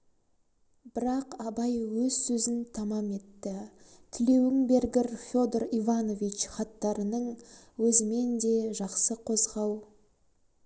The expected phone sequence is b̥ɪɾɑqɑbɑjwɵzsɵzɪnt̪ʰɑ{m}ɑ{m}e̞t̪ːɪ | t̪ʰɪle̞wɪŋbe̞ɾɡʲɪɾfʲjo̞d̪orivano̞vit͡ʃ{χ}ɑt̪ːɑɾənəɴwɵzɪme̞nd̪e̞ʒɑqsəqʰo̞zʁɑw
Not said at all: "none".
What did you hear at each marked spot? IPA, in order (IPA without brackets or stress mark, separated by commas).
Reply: m, m, χ